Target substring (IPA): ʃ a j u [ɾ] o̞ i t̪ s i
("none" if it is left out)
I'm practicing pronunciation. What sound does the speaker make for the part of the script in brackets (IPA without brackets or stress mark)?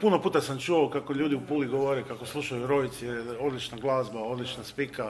ɾ